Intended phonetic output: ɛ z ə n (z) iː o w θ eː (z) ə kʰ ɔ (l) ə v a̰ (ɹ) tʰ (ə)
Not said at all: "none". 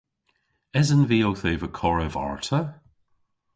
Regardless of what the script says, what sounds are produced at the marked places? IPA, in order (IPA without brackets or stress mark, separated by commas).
v, v, ɹ, ɹ, ə